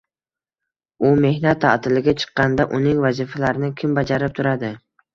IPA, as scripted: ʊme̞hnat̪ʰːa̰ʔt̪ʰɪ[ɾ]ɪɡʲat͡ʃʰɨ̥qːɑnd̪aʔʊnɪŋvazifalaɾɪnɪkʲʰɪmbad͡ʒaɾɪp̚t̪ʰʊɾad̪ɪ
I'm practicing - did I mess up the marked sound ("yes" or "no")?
yes